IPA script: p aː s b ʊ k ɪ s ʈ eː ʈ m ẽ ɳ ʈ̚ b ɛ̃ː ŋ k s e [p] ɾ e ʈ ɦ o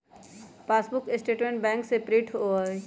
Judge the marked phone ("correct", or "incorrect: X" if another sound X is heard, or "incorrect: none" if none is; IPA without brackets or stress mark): correct